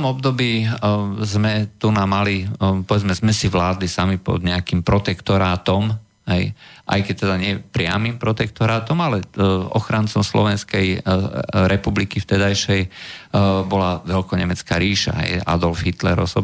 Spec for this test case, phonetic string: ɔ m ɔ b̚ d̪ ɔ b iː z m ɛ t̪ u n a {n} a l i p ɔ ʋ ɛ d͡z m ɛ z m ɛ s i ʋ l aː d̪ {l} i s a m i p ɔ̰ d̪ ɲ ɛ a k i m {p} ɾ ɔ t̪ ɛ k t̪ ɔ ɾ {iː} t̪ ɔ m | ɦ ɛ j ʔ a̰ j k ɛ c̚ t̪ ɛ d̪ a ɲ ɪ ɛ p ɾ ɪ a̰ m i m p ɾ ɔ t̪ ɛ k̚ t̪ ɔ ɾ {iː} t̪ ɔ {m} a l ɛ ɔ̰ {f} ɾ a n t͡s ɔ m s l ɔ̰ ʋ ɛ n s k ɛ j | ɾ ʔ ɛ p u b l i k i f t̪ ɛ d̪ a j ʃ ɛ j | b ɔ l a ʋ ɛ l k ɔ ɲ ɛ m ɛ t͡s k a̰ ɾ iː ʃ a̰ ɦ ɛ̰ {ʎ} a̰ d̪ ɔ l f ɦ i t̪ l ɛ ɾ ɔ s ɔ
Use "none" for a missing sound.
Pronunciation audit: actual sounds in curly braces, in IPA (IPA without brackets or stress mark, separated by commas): m, l, p, aː, aː, m, x, j